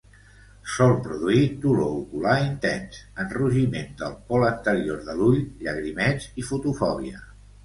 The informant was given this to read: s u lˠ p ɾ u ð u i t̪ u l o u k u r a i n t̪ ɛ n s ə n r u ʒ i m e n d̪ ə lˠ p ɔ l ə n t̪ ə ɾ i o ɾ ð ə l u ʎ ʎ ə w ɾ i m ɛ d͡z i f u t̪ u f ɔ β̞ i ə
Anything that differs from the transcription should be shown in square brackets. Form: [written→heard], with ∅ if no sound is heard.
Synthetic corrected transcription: s [u→ɔ] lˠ p ɾ u ð u i t̪ u l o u k u [r→l] a i n t̪ ɛ n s ə n r u ʒ i m e n d̪ ə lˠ p ɔ l ə n t̪ ə ɾ i o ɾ ð ə l u ʎ ʎ ə [w→ɣ] ɾ i m ɛ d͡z i f u t̪ u f ɔ β̞ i ə

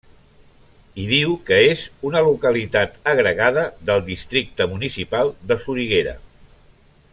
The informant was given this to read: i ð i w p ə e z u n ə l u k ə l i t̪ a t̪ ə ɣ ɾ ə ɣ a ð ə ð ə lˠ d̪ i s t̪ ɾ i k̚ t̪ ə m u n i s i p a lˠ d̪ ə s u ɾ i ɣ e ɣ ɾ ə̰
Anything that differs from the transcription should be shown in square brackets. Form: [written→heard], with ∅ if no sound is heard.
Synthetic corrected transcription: i ð i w [p→k] ə e z u n ə l u k ə l i t̪ a t̪ ə ɣ ɾ ə ɣ a ð ə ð ə lˠ d̪ i s t̪ ɾ i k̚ t̪ ə m u n i s i p a lˠ d̪ ə s u ɾ i ɣ e [ɣ→∅] ɾ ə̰

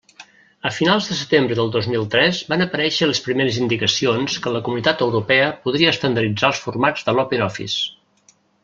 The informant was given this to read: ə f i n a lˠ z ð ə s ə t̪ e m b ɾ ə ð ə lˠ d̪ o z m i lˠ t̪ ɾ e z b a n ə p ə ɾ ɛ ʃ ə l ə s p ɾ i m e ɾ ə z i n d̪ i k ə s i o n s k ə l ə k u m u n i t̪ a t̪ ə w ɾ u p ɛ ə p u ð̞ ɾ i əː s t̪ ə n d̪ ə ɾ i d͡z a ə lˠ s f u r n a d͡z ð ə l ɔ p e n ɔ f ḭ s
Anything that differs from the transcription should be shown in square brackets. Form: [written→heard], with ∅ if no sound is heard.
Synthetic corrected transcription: ə f i n a lˠ z ð ə s ə t̪ e m b ɾ ə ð ə lˠ d̪ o z m i lˠ t̪ ɾ [e→ɛ] z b a n ə p ə ɾ ɛ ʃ ə l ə s p ɾ i m e ɾ ə z i n d̪ i k ə s i o n s k ə l ə k u m u n i t̪ a t̪ ə w ɾ u p ɛ ə p u ð̞ ɾ i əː s t̪ ə n d̪ ə ɾ i d͡z a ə lˠ s f u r [n→m] a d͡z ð ə l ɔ p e n ɔ f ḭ s

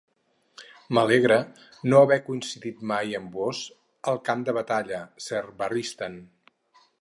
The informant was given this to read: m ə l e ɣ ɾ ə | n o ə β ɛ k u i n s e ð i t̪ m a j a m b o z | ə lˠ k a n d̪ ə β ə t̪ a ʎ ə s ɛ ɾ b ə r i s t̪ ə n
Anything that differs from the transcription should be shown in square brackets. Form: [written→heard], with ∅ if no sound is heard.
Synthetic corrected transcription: m ə l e ɣ ɾ ə | n o ə β ɛ k u i n s [e→i] ð i t̪ m a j [a→ə] m b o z | ə lˠ k a [n→m] d̪ ə β ə t̪ a ʎ ə s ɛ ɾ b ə r i s t̪ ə n

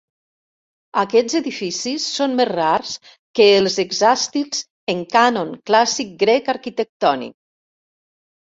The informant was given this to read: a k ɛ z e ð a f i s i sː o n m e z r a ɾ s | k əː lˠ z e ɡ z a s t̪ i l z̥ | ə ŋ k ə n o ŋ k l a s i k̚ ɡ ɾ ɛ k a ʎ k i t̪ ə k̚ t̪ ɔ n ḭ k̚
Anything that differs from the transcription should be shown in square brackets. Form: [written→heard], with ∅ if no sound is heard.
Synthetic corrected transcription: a k ɛ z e ð [a→i] f i s i sː o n m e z r a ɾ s | k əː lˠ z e ɡ z a s t̪ i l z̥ | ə ŋ k [ə→a] n o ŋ k l a s i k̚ ɡ ɾ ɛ k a [ʎ→ɾ] k i t̪ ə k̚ t̪ ɔ n ḭ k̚

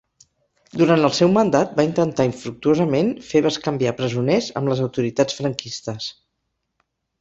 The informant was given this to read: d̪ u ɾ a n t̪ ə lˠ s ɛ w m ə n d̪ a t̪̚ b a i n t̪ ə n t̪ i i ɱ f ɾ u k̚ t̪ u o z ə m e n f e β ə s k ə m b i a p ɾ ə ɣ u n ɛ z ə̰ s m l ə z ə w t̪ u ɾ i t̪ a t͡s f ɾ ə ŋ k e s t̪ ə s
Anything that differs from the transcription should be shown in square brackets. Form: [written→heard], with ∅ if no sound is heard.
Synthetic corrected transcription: d̪ u ɾ a n t̪ ə lˠ s ɛ w m ə n d̪ a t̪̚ b a i n t̪ ə n t̪ [i→a] i ɱ f ɾ u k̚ t̪ u o z ə m e n f e β ə s k ə m b i a p ɾ ə [ɣ→z] u n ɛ z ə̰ [s→∅] m l ə z ə w t̪ u ɾ i t̪ a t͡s f ɾ ə ŋ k [e→i] s t̪ ə s

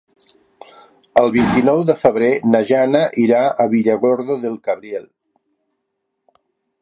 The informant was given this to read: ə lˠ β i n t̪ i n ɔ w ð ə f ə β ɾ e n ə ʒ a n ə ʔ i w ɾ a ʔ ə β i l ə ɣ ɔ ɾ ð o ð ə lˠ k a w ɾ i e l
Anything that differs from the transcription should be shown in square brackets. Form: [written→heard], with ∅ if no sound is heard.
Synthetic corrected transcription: ə lˠ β i n t̪ i n ɔ w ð ə f ə β ɾ e n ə ʒ a n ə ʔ i [w→∅] ɾ a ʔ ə β i [l→ʎ] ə ɣ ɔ ɾ ð o ð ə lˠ k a [w→β] ɾ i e l

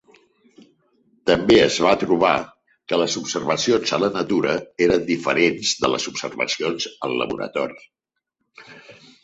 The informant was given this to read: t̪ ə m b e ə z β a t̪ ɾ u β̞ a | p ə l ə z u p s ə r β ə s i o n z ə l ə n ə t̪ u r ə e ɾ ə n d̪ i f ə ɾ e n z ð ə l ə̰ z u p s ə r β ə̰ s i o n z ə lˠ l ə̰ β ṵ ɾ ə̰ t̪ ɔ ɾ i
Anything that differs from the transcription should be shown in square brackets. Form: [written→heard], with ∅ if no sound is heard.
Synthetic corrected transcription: t̪ ə m b e ə z β a t̪ ɾ u β̞ a | [p→k] ə l ə z u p s ə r β ə s i o n z ə l ə n ə t̪ u [r→ɾ] ə e ɾ ə n d̪ i f ə ɾ e n z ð ə l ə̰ z u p s ə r β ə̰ s i o n z ə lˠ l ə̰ β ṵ ɾ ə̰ t̪ ɔ ɾ i

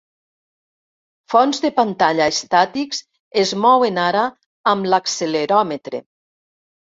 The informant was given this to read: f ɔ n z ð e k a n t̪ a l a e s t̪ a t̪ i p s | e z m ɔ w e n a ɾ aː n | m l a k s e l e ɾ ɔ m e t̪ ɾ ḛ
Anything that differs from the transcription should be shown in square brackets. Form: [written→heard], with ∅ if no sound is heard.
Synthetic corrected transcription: f ɔ n z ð e [k→p] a n t̪ a [l→ʎ] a e s t̪ a t̪ i [p→k] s | e z m ɔ w e n a ɾ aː [n→∅] | m l a k s e l e ɾ ɔ m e t̪ ɾ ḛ

